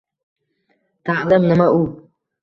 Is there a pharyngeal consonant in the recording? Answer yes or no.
yes